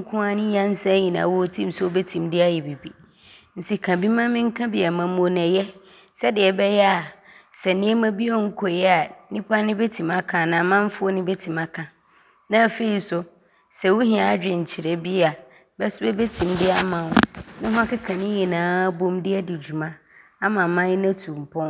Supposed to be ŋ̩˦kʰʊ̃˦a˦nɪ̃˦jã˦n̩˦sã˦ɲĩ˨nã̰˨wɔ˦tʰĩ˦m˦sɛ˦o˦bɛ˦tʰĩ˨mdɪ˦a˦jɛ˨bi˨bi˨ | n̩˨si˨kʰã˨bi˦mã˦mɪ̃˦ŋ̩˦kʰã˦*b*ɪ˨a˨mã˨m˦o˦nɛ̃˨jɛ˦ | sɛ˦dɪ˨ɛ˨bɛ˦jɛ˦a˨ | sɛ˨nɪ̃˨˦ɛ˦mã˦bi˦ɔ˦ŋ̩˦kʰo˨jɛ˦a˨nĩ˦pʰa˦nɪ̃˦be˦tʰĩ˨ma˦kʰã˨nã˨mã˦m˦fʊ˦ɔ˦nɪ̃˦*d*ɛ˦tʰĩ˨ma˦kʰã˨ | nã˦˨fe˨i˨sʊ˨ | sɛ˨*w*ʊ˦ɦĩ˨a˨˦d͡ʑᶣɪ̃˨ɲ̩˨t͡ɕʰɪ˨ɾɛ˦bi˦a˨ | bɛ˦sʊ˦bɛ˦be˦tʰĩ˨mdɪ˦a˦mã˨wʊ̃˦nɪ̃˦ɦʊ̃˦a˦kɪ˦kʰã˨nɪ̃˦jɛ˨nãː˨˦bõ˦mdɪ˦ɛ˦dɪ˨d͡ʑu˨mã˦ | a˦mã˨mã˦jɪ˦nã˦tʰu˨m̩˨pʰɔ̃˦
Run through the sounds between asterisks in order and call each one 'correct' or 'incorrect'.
correct, incorrect: b, correct

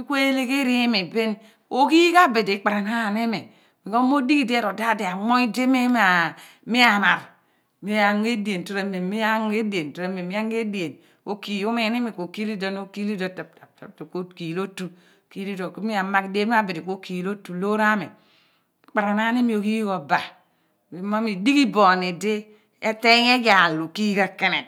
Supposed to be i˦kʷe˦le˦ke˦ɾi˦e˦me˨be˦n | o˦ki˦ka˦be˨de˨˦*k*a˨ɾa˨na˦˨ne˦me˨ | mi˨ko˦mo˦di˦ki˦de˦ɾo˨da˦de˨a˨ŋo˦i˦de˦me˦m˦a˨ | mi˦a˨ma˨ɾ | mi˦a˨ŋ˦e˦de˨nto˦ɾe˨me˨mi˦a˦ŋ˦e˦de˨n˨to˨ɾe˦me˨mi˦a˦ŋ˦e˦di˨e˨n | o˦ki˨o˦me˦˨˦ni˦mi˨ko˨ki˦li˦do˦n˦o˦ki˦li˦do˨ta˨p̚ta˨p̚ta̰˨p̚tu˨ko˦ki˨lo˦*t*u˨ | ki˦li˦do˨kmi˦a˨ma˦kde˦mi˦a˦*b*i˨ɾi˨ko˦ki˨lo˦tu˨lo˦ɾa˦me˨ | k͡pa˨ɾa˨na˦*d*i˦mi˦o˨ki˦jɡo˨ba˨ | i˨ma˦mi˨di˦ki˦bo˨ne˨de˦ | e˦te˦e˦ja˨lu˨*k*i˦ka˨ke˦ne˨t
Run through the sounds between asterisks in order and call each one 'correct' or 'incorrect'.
incorrect: k͡p, correct, correct, incorrect: n, correct

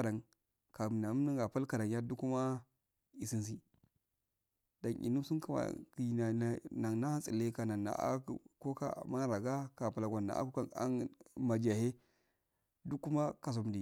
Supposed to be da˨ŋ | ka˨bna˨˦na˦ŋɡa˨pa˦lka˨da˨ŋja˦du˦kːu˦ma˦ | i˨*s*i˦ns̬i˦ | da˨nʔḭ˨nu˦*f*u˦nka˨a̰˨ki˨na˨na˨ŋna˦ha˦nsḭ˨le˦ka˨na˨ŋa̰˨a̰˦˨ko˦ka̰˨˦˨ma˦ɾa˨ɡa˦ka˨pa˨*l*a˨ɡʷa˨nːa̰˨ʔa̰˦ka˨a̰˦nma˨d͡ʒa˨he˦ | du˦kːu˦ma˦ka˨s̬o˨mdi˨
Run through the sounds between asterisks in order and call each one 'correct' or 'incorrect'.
correct, incorrect: s, correct

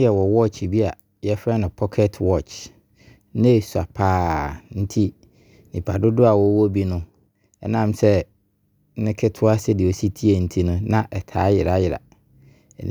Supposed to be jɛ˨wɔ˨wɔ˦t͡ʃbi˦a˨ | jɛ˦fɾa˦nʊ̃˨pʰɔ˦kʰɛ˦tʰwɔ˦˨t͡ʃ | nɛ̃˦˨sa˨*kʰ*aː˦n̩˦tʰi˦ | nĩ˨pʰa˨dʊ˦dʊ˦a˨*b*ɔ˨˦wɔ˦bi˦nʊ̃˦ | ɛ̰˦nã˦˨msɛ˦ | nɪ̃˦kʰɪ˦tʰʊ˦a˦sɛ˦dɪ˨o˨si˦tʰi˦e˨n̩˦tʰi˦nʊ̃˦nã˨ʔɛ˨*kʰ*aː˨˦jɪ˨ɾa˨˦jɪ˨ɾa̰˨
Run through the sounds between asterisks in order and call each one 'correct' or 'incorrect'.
incorrect: pʰ, incorrect: w, incorrect: tʰ

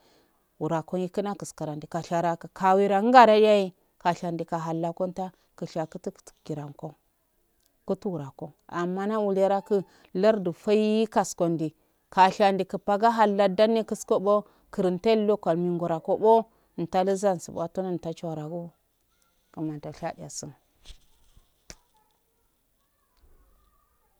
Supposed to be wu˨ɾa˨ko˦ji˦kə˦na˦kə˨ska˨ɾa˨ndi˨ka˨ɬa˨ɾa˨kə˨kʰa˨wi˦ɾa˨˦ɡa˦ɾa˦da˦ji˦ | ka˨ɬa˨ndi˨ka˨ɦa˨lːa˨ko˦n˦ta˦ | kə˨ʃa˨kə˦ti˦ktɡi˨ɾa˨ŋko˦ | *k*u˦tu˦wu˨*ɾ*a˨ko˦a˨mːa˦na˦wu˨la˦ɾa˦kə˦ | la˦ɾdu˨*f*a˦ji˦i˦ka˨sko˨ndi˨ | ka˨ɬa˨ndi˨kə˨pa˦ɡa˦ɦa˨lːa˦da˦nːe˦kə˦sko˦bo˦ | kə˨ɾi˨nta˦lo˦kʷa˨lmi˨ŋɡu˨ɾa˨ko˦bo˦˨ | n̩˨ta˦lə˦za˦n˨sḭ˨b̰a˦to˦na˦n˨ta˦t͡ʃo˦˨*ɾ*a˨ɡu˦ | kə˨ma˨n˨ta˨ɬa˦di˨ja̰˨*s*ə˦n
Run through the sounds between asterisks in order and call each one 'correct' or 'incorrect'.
correct, correct, correct, correct, correct

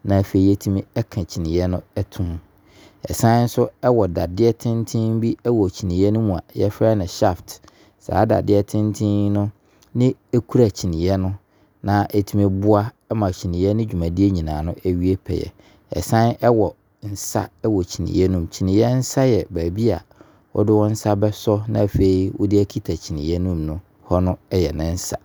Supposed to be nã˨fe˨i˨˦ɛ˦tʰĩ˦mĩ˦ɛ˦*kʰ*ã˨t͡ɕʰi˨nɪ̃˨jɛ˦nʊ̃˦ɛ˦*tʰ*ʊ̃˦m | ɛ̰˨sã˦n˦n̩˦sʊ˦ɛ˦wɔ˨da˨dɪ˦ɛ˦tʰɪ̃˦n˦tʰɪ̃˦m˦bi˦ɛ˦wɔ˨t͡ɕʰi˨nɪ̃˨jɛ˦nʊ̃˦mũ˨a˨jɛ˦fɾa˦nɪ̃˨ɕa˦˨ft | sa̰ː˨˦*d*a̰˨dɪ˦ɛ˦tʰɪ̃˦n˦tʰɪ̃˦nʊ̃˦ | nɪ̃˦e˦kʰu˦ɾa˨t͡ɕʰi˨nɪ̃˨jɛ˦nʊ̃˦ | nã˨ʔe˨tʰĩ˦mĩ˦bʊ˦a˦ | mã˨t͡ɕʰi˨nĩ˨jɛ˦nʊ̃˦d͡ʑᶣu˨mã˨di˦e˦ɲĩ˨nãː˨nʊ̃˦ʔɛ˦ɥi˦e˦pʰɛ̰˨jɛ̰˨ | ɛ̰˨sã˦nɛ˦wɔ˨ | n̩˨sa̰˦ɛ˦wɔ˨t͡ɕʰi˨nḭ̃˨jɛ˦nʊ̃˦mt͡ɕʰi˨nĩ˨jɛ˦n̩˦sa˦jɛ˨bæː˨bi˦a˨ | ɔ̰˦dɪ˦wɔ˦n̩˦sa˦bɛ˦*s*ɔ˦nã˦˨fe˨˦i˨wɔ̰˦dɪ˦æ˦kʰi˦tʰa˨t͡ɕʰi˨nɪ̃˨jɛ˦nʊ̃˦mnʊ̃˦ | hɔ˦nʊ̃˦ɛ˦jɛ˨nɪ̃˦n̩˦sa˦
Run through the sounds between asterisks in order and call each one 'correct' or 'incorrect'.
correct, correct, correct, correct

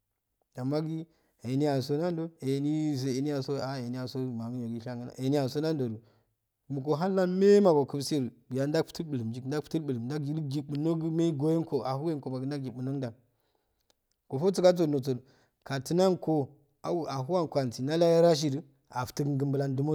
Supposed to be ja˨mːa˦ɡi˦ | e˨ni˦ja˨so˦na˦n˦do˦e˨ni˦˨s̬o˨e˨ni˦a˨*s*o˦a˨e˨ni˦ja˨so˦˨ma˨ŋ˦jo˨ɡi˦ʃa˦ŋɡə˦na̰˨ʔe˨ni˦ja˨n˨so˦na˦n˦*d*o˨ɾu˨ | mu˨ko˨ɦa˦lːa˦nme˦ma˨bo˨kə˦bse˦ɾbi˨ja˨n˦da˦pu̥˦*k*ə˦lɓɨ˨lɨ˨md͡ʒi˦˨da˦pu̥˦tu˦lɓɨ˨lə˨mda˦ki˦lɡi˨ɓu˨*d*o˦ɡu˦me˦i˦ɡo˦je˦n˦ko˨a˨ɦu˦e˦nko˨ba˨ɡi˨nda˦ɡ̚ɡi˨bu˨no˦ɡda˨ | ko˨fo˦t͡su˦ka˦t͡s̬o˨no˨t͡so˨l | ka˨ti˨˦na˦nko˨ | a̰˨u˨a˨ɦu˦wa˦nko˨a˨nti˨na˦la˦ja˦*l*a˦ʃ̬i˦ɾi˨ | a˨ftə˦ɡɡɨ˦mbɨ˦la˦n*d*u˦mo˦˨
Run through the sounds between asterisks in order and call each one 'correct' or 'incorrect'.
correct, correct, incorrect: t, incorrect: n, incorrect: ɾ, correct

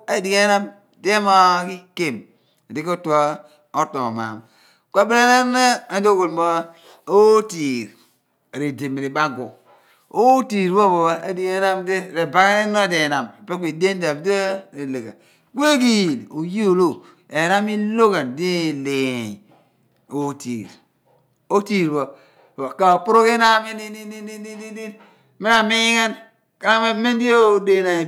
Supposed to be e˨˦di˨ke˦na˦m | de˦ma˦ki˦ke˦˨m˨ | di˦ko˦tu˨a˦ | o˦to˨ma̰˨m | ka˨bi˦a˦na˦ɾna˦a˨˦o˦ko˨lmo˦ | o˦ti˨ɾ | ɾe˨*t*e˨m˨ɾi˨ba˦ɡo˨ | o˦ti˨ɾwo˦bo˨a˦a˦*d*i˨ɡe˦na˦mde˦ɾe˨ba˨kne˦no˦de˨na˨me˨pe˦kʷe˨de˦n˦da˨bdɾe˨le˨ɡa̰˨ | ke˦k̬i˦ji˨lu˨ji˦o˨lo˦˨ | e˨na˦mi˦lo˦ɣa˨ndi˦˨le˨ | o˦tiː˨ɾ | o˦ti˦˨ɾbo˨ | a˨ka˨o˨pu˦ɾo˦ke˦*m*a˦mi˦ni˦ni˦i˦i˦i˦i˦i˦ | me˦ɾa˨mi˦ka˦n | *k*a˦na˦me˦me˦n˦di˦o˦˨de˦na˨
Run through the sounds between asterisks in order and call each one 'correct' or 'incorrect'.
incorrect: d, correct, incorrect: n, correct

